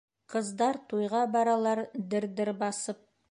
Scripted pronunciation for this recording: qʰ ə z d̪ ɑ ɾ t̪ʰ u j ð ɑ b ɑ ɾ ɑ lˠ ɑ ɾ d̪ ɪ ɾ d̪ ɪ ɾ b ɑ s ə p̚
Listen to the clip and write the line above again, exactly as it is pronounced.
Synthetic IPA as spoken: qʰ ə z d̪ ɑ ɾ t̪ʰ u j ʁ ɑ b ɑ ɾ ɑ lˠ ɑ ɾ d̪ ɪ ɾ d̪ ɪ ɾ b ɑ s ə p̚